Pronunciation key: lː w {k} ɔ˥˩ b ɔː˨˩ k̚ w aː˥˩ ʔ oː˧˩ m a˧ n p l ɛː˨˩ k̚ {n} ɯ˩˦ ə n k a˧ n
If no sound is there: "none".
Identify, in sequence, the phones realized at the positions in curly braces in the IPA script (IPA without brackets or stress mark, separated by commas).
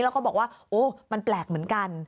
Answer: k, m